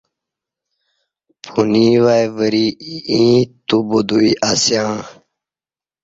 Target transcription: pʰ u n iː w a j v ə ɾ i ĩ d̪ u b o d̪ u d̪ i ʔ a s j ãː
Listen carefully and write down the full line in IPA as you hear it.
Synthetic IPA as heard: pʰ u n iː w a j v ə ɾ i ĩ t̪ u b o d̪ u i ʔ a s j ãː